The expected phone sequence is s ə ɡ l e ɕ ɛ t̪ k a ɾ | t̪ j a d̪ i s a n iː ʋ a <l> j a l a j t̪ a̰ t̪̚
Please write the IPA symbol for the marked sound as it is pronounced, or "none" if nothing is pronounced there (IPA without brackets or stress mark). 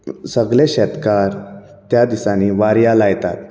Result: ɾ